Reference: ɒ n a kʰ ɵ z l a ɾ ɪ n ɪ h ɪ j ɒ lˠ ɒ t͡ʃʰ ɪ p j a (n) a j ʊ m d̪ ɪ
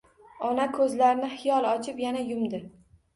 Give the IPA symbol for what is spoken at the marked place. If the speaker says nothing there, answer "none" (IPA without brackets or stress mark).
n